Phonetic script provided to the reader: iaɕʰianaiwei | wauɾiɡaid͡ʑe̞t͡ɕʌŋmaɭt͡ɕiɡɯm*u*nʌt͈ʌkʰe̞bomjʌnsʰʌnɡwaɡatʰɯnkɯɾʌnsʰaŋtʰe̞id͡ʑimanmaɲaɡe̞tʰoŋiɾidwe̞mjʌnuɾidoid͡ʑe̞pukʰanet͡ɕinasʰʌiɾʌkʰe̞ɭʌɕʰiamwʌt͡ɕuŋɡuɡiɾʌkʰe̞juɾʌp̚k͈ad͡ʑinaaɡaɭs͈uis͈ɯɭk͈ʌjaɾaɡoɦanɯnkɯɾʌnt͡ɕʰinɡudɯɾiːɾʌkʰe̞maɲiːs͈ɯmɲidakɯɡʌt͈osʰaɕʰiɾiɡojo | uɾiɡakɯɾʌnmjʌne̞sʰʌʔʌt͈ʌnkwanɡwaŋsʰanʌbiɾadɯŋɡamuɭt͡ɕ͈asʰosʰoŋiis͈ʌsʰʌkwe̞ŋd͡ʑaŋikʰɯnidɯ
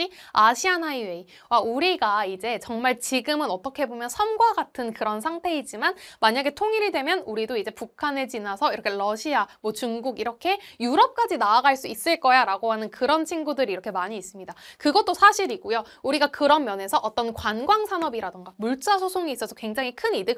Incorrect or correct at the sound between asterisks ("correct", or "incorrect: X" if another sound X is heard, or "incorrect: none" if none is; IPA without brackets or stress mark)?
incorrect: ɯ